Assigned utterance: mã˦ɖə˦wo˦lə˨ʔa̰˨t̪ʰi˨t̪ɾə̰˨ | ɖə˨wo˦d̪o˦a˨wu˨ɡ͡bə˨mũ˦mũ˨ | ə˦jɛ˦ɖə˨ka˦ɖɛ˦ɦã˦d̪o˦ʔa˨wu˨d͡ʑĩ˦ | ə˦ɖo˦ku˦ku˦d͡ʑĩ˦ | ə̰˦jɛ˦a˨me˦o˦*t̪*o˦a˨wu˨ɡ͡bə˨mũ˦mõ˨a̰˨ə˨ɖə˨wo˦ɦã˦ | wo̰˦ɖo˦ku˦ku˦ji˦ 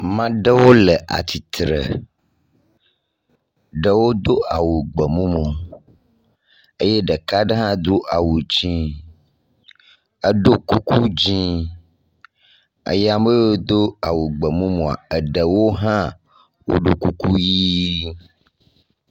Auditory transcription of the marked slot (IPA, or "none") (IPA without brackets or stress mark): d̪